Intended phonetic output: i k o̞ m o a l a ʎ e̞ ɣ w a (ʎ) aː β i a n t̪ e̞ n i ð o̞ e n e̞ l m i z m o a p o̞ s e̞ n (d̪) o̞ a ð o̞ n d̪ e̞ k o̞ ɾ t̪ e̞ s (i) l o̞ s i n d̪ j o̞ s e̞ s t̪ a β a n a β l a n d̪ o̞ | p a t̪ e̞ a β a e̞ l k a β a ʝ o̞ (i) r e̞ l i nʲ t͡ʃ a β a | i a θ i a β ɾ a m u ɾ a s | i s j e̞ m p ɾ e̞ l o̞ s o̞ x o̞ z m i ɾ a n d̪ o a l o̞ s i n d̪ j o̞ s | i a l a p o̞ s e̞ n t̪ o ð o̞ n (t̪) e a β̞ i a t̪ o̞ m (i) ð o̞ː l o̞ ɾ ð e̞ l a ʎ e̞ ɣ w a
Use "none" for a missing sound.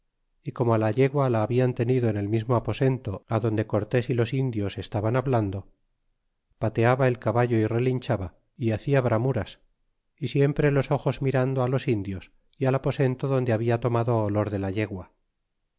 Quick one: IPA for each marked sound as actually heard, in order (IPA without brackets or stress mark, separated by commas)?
l, t̪, i, i, d̪, a